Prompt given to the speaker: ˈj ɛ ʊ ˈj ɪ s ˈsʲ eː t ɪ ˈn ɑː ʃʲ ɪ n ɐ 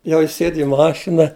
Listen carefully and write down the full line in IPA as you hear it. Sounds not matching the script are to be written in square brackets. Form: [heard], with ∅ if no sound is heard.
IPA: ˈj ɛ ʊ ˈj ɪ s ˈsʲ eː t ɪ [ˈm] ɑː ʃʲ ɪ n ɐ